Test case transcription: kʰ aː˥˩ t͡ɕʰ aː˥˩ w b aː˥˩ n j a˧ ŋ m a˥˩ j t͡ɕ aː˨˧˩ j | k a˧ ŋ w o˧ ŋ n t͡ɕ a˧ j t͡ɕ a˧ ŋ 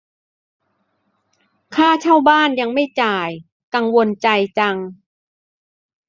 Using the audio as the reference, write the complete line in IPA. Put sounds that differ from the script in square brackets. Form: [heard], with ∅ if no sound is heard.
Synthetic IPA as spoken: kʰ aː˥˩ t͡ɕʰ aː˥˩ w b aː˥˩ n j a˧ ŋ m a˥˩ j t͡ɕ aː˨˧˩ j | k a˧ ŋ w o˧ [∅] n t͡ɕ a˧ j t͡ɕ a˧ ŋ